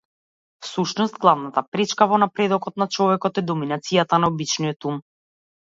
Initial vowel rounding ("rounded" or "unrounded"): rounded